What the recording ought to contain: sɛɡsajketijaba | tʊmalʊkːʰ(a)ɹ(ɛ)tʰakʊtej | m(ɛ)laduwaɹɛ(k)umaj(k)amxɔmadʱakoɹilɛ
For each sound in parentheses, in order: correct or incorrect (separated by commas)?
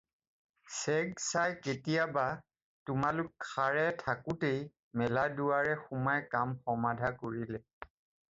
correct, correct, correct, incorrect, correct